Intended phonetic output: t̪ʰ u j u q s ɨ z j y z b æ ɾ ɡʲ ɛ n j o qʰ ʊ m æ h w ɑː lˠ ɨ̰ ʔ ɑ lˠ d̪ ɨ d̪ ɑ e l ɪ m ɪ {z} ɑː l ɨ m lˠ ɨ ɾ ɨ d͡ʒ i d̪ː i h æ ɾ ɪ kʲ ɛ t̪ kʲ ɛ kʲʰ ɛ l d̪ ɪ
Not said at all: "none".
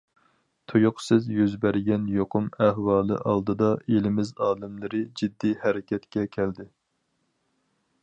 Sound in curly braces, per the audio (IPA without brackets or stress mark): z